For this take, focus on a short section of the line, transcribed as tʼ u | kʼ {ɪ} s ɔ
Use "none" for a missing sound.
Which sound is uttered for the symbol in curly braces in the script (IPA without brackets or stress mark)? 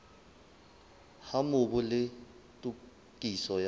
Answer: i